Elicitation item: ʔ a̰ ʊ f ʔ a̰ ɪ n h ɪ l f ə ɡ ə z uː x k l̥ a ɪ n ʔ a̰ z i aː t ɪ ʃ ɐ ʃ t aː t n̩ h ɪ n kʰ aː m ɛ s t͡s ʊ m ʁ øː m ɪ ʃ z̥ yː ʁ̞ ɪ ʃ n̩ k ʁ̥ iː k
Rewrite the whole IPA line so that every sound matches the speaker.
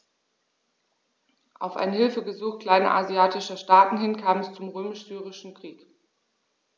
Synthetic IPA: ʔ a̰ ʊ f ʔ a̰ ɪ n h ɪ l f ə ɡ ə z uː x k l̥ a ɪ n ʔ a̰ z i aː t ɪ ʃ ɐ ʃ t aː t n̩ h ɪ n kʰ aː m ɛ s t͡s ʊ m ʁ øː m ɪ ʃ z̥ yː ʁ̞ ɪ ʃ n̩ k ʁ̥ iː k